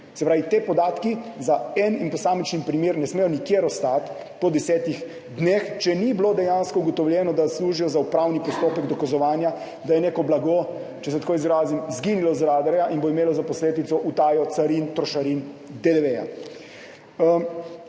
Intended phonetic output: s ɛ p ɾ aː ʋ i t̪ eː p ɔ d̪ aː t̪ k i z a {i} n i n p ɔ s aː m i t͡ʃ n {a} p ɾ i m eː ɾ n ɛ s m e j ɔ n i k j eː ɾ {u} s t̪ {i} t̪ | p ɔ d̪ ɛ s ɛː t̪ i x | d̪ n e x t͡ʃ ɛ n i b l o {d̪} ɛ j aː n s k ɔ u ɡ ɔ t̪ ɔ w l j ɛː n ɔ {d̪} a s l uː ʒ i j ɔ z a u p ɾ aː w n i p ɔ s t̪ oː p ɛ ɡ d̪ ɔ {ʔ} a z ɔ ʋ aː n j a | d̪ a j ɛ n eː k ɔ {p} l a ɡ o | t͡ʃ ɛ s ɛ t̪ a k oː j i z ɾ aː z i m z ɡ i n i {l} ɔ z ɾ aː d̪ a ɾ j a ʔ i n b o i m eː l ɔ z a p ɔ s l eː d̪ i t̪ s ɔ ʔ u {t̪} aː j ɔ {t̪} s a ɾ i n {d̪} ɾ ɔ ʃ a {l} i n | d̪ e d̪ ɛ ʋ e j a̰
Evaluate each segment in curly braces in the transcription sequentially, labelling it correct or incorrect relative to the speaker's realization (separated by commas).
incorrect, incorrect, incorrect, incorrect, correct, correct, incorrect, incorrect, correct, correct, correct, incorrect, incorrect